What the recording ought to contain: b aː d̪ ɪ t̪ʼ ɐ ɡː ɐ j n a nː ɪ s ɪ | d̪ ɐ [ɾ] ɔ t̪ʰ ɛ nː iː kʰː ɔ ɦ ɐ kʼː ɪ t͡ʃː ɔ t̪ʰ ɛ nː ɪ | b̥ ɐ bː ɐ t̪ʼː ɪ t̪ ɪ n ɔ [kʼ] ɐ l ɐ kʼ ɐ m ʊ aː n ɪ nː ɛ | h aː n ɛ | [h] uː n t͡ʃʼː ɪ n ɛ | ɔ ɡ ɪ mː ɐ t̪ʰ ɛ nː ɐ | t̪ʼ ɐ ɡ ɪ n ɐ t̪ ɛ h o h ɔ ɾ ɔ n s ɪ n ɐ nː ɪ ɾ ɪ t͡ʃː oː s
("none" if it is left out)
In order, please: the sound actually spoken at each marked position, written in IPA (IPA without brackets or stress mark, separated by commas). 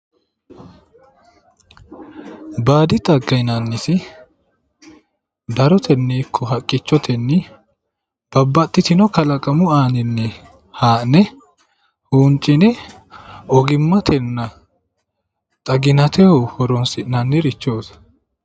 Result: ɾ, k, h